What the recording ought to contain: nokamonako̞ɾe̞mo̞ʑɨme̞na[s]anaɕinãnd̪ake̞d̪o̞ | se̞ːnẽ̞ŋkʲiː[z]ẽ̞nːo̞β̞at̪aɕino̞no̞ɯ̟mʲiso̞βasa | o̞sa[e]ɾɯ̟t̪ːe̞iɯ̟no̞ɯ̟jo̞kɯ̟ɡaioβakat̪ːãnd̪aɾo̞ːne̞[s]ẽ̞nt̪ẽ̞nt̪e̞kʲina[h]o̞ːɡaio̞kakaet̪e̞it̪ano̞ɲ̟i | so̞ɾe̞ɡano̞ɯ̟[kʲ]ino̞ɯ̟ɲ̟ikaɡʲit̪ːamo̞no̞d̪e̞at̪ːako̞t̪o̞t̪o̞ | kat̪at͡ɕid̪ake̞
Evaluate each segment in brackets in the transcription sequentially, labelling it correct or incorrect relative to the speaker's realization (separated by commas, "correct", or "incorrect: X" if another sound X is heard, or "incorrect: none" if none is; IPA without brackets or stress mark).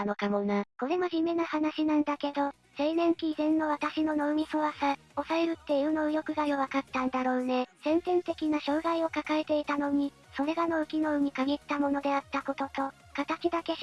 incorrect: h, correct, correct, correct, incorrect: ɕ, correct